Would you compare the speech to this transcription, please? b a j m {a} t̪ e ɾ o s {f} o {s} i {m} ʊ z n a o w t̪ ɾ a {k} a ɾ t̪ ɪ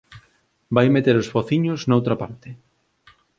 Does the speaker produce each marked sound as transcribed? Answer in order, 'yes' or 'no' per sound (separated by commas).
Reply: no, yes, no, no, no